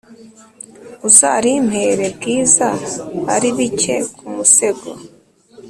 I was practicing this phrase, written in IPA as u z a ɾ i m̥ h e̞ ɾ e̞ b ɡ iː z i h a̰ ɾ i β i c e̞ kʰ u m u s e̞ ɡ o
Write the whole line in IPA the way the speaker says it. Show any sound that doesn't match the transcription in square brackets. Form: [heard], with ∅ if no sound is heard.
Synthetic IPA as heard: u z a ɾ i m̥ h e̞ ɾ e̞ b ɡ iː z [a] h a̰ ɾ i β i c e̞ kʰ u m u s e̞ ɡ o